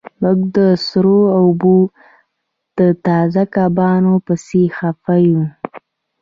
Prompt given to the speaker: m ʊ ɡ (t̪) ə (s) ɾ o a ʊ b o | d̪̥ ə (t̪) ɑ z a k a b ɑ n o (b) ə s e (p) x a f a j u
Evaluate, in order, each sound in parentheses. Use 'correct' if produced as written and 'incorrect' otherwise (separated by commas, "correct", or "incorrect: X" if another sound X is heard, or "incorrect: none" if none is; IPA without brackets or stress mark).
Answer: incorrect: d̪, correct, correct, incorrect: p, incorrect: none